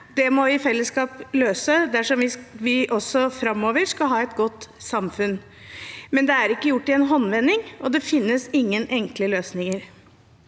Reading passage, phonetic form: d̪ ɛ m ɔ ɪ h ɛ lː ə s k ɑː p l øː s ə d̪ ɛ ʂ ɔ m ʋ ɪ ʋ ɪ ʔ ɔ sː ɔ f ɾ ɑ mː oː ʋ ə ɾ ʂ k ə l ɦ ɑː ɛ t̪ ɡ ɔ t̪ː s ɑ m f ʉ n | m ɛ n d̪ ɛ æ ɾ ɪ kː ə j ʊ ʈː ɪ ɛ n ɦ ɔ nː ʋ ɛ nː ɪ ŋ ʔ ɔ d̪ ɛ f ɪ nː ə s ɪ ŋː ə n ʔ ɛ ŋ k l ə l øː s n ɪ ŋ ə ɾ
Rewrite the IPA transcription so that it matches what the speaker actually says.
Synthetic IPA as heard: d̪ ɛ m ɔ ɪ f ɛ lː ə s k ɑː p l øː s ə d̪ æ ʂ ɔ m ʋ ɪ ʋ ɪ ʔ ɔ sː ɔ f ɾ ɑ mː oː ʋ ə ɾ ʂ k ɑ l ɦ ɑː ɛ t̪ ɡ ɔ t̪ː s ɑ m f ʉ n | m ɛ n d̪ ɛ æ ɾ ɪ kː ə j ʊ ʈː ɪ ɛ n ɦ ɔ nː ʋ ɛ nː ɪ ŋ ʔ ɔ d̪ ɛ f ɪ nː ə s ɪ ŋː ə n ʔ ɛ ŋ k l ə l øː s n ɪ ŋ ə ɾ